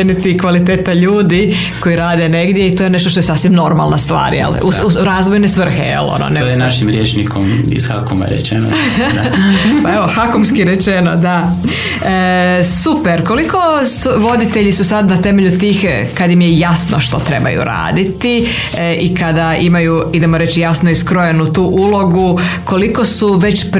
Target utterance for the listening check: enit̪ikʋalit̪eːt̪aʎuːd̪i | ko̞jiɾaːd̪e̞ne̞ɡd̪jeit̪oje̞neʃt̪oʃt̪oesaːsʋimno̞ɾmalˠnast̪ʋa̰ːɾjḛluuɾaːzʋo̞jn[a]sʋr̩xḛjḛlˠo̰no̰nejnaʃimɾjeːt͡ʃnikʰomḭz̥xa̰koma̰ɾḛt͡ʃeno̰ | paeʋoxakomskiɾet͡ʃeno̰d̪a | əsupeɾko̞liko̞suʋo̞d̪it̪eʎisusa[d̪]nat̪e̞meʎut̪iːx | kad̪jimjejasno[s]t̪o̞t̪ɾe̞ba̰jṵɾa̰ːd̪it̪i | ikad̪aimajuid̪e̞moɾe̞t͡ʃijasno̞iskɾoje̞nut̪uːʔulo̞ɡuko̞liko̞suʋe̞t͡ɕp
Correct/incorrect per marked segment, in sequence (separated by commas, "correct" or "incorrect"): incorrect, correct, incorrect